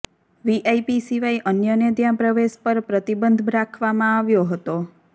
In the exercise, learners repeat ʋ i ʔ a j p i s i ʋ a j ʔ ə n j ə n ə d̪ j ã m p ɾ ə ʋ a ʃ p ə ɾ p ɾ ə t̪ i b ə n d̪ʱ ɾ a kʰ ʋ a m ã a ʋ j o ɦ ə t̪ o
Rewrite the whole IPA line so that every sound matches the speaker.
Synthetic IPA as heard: ʋ i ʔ a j p i s i ʋ a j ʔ ə n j ə n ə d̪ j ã p ɾ ə ʋ e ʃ p ə ɾ p ɾ ə t̪ i b ə n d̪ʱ ɾ a kʰ ʋ a m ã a ʋ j o ɦ ə t̪ o

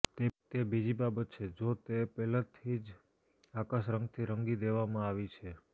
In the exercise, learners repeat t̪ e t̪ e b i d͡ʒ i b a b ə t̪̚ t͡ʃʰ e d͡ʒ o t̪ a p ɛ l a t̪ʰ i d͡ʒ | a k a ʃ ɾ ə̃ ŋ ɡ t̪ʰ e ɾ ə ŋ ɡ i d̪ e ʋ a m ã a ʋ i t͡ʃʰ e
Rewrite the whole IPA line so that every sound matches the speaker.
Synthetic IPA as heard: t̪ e t̪ e b i d͡ʒ i b a b ə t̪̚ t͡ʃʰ e d͡ʒ o t̪ e p ɛ l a t̪ʰ i d͡ʒ | a k a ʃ ɾ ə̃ ŋ ɡ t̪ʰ i ɾ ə ŋ ɡ i d̪ e ʋ a m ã a ʋ i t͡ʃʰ e

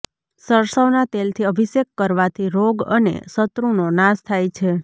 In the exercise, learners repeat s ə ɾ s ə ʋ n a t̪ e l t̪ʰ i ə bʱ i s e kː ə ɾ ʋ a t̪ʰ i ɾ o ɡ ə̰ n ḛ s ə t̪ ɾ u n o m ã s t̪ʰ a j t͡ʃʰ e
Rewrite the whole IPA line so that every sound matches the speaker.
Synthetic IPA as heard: s ə ɾ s ə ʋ n a t̪ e l t̪ʰ i ə bʱ i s e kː ə ɾ ʋ a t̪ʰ i ɾ o ɡ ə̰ n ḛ s ə t̪ ɾ u n o n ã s t̪ʰ a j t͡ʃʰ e

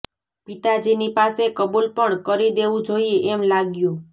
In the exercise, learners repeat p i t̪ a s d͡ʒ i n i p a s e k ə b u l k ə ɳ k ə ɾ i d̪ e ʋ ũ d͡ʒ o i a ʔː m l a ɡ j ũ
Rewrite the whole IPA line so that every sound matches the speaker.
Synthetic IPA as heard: p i t̪ a d͡ʒ i n i p a s e k ə b u l p ə ɳ k ə ɾ i d̪ e ʋ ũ d͡ʒ o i e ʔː m l a ɡ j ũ

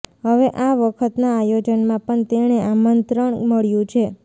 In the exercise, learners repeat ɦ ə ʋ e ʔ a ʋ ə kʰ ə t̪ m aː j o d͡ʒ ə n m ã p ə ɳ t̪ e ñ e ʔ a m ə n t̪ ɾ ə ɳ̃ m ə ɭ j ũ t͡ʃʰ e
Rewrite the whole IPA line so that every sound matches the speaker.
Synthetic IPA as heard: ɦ ə ʋ e ʔ a ʋ ə kʰ ə t̪ n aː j o d͡ʒ ə n m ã p ə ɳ t̪ e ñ e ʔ a m ə n t̪ ɾ ə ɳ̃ m ə ɭ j ũ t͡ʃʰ e

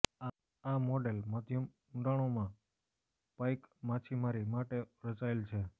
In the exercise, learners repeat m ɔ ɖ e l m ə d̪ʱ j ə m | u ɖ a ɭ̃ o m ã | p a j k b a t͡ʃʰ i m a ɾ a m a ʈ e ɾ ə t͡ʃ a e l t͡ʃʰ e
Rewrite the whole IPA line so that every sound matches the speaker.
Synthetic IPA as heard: m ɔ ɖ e l m ə d̪ʱ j ə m | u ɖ a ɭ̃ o m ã | p a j k m a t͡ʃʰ i m a ɾ i m a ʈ e ɾ ə t͡ʃ a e l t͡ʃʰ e

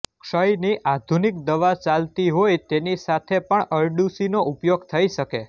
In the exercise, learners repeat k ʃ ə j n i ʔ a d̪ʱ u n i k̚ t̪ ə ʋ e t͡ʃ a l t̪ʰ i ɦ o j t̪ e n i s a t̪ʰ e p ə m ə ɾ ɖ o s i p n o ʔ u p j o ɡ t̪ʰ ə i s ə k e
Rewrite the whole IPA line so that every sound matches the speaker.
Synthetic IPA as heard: k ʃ ə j n i ʔ a d̪ʱ u n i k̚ d̪ ə ʋ a t͡ʃ a l t̪ i ɦ o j t̪ e n i s a t̪ʰ e p ə ɳ ə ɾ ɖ u s i n o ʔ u p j o ɡ t̪ʰ ə i ʃ ə k e

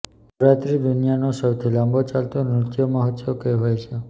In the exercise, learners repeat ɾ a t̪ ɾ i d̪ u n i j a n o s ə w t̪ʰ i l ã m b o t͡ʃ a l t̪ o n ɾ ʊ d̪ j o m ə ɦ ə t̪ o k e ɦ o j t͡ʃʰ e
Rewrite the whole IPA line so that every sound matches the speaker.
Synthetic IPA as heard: ɾ a t̪ ɾ i d̪ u n i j a n o s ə w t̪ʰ i l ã m b o t͡ʃ a l t̪ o n ɾ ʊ t̪ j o m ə ɦ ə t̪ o k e ɦ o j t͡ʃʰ e

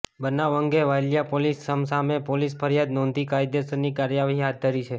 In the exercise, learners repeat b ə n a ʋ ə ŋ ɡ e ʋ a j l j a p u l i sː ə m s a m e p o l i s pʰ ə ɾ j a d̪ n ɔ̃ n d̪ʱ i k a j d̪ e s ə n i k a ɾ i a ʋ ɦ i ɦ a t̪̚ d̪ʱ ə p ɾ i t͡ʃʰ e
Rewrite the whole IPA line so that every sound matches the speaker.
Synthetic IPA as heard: b ə n a ʋ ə ŋ ɡ e ʋ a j l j a p o l i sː ə m s a m e p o l i s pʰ ə ɾ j a d̪ n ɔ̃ n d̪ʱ i k a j d̪ e s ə n i k a ɾ j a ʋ ɦ i ɦ a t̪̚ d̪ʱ ə ɾ i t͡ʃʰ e

